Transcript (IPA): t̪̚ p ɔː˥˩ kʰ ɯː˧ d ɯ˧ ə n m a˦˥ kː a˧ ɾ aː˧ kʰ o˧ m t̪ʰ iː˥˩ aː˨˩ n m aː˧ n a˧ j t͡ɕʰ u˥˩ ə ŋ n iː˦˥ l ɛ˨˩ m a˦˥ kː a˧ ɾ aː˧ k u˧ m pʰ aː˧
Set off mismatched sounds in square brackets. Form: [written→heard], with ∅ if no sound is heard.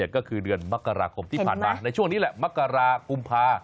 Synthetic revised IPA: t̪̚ [p→k] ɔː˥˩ kʰ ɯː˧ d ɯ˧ ə n m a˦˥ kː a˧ ɾ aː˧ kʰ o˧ m t̪ʰ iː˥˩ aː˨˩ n m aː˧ n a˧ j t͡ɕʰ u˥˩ ə ŋ n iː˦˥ l ɛ˨˩ m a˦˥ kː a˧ ɾ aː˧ k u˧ m pʰ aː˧